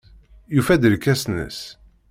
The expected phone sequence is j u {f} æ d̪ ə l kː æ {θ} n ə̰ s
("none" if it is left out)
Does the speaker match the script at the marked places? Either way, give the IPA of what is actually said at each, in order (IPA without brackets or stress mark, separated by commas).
f, s